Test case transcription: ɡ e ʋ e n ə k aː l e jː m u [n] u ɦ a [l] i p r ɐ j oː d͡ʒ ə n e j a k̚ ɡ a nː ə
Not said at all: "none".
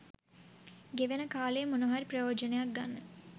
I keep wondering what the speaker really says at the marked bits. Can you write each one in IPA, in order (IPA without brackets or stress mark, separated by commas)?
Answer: n, ɾ